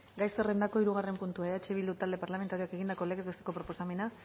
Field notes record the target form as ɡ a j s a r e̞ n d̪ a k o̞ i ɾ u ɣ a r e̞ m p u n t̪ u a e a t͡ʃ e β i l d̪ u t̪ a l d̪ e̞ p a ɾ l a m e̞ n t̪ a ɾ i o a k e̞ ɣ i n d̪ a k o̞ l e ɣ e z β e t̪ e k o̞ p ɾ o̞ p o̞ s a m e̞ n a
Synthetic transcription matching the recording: ɡ a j s e r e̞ n d̪ a k o̞ i ɾ u ɣ a r e̞ m p u n t̪ u a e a t͡ʃ e β i l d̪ u t̪ a l d̪ e̞ p a ɾ l a m e̞ n t̪ a ɾ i o a k e̞ ɣ i n d̪ a k o̞ l e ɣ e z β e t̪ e k o̞ p ɾ o̞ p o̞ s a m e̞ n a

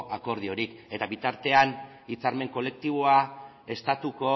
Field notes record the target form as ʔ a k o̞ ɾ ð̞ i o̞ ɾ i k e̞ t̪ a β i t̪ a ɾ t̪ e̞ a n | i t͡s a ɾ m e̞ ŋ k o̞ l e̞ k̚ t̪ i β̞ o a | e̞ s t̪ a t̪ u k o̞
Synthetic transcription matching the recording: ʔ a k o̞ ɾ ð̞ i o̞ ɾ i k e̞ t̪ a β i t̪ a ɾ t̪ e̞ a n | i t͡s a ɾ m e̞ ŋ k o̞ l e̞ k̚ t̪ i β̞ o a | e̞ s t̪ a t̪ u k o̞

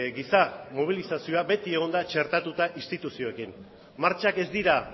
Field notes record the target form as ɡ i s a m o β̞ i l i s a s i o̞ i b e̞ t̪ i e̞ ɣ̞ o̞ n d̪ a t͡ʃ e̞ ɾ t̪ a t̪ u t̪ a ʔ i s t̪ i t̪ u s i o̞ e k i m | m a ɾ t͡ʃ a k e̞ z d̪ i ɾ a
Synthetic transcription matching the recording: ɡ i s a m o β̞ i l i s a s i o̞ a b e̞ t̪ i e̞ ɣ̞ o̞ n d̪ a t͡ʃ e̞ ɾ t̪ a t̪ u t̪ a ʔ i s t̪ i t̪ u s i o̞ e k i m | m a ɾ t͡ʃ a k e̞ z d̪ i ɾ a

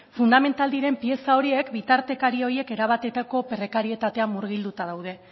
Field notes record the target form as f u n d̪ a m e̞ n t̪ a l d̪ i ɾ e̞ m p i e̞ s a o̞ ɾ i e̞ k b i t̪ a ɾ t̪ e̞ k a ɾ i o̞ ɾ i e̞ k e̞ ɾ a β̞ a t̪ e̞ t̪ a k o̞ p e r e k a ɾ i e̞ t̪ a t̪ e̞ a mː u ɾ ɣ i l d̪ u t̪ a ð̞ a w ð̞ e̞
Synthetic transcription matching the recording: f u n d̪ a m e̞ n t̪ a l d̪ i ɾ e̞ m p i e̞ s a o̞ ɾ i e̞ k b i t̪ a ɾ t̪ e̞ k a ɾ i o̞ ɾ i e̞ k e̞ ɾ a β̞ a t̪ e̞ t̪ a k o̞ p e r e k a ɾ i e̞ t̪ a t̪ e̞ a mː u ɾ ɣ i l d̪ u t̪ a ð̞ a w ð̞ e̞

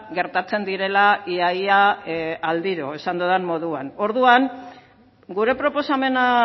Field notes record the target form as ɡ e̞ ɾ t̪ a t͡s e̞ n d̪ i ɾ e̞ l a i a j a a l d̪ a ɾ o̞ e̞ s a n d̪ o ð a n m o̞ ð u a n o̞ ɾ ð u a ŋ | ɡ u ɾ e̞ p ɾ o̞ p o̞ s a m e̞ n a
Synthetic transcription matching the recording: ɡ e̞ ɾ t̪ a t͡s e̞ n d̪ i ɾ e̞ l a i a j a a l d̪ i ɾ o̞ e̞ s a n d̪ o ð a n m o̞ ð u a n o̞ ɾ ð u a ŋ | ɡ u ɾ e̞ p ɾ o̞ p o̞ s a m e̞ n a

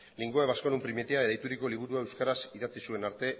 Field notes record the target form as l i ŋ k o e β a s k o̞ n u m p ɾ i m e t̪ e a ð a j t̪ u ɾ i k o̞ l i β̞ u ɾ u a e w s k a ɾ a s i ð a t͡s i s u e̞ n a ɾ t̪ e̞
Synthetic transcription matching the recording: l i ŋ ɡ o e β a s k o̞ n u m p ɾ i m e t̪ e a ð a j t̪ u ɾ i k o̞ l i β̞ u ɾ u a e w s k a ɾ a s i ð a t͡s i s u e̞ n a ɾ t̪ e̞

